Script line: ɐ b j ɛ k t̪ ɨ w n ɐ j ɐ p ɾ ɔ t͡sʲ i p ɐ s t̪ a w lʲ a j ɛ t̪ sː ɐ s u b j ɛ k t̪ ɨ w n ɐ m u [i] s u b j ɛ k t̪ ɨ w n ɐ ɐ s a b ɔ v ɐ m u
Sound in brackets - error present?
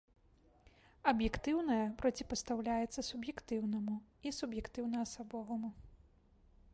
no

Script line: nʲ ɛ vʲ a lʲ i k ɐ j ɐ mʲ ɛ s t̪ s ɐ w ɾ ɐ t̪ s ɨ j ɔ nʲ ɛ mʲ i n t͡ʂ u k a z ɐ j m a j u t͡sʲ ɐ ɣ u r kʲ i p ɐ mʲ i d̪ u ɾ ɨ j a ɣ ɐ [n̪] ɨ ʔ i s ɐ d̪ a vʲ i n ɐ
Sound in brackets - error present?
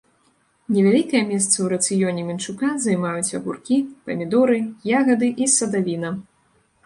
yes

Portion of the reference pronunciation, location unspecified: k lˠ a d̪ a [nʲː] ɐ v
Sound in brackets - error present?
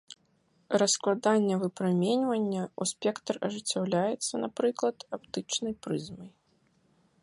no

